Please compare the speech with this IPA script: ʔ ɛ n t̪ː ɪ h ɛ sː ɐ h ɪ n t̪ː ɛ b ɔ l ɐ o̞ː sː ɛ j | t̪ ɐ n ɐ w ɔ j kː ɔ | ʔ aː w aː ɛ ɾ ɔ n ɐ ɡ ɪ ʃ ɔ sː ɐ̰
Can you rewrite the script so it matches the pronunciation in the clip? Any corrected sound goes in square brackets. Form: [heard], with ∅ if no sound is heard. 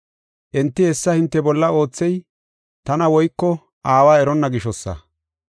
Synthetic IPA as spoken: ʔ ɛ n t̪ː ɪ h ɛ sː ɐ h ɪ n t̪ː ɛ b ɔ [lː] ɐ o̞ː [t͡sː] ɛ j | t̪ ɐ n ɐ w ɔ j kː ɔ | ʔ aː w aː ɛ ɾ ɔ [nː] ɐ ɡ ɪ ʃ ɔ sː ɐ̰